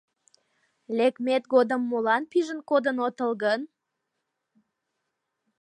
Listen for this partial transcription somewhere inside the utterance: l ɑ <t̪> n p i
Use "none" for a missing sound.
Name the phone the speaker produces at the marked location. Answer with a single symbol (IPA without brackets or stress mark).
none